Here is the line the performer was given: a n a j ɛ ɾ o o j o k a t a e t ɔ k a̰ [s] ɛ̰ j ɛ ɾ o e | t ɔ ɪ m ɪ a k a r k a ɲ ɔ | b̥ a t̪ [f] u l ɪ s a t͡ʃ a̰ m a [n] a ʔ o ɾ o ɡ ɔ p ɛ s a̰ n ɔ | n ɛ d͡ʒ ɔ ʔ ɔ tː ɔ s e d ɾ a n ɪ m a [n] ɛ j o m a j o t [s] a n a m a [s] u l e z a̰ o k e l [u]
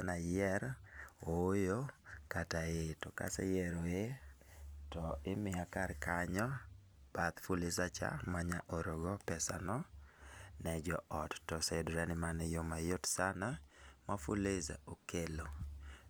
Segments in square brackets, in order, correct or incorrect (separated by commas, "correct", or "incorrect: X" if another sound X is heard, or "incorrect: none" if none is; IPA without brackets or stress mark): correct, correct, incorrect: ɲ, correct, correct, incorrect: f, incorrect: o